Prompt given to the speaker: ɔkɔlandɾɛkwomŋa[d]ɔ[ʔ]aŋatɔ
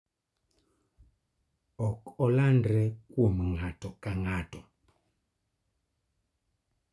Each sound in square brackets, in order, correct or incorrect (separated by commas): incorrect, incorrect